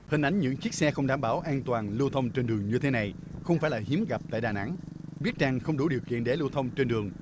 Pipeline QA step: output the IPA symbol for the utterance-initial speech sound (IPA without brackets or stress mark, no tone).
h